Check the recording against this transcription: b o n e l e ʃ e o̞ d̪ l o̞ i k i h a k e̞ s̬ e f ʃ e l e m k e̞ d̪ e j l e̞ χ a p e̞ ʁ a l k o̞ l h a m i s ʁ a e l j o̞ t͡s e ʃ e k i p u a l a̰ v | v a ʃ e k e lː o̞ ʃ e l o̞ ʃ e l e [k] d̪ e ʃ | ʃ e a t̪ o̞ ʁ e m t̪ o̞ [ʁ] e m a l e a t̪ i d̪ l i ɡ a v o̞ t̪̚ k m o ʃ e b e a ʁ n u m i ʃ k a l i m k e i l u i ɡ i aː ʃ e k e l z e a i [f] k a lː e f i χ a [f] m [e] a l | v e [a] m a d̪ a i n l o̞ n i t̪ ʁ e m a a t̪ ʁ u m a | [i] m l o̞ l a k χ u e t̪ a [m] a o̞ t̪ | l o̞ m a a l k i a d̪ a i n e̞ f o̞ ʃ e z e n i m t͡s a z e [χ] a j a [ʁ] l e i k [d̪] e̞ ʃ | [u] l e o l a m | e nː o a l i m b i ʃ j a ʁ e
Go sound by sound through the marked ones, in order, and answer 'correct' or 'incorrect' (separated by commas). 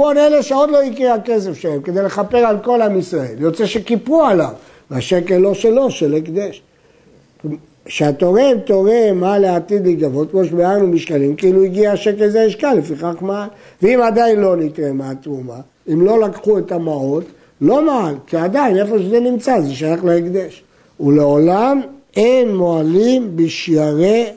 correct, correct, incorrect, incorrect, incorrect, incorrect, correct, correct, incorrect, incorrect, correct, correct